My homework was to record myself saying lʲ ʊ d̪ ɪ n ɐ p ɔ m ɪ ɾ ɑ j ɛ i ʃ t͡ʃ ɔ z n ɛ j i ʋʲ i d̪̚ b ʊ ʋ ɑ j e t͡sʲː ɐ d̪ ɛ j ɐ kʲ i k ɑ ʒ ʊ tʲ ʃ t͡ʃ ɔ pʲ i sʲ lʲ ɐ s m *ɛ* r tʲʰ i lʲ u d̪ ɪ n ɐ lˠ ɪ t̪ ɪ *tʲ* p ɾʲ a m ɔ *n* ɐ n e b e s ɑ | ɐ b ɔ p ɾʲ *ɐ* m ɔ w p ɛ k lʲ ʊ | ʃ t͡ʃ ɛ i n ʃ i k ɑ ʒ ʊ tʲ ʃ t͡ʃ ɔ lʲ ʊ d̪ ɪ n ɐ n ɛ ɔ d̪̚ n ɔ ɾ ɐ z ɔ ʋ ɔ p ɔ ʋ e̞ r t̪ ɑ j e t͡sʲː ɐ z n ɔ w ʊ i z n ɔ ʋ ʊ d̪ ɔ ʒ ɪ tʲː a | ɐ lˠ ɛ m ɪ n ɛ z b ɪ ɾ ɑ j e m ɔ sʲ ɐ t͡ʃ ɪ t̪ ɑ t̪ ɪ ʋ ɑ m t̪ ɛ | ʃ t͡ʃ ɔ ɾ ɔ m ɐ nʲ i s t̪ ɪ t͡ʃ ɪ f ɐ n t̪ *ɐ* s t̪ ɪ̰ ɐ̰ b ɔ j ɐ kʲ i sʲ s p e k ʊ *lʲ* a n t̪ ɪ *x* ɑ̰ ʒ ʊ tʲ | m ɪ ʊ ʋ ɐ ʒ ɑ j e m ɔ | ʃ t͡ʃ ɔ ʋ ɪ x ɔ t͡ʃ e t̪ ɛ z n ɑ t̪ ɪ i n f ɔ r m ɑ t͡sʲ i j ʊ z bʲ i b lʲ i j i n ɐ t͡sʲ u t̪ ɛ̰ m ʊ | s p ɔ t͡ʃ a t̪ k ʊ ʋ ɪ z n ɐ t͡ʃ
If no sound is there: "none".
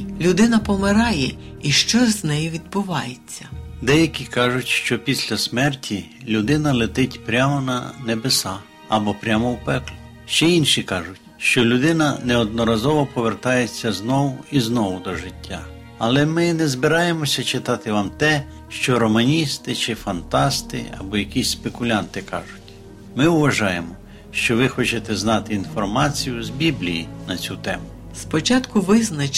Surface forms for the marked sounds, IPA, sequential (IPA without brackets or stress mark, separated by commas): ɛ, tʲ, n, a, ɑ, lʲ, k